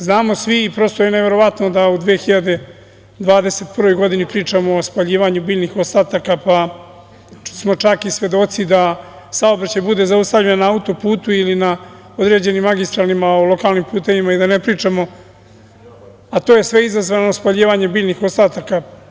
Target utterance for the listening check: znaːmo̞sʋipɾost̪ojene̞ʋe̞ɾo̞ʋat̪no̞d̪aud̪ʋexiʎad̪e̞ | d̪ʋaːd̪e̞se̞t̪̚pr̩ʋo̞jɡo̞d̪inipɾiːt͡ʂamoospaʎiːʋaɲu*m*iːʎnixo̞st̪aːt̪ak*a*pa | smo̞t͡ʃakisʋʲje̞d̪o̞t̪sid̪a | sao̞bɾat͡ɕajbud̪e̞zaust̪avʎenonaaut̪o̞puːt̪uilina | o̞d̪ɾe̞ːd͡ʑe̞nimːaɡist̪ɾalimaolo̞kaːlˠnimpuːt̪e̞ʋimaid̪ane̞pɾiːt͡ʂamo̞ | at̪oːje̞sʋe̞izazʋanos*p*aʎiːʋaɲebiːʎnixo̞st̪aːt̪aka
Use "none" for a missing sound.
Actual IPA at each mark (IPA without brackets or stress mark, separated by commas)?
b, a, p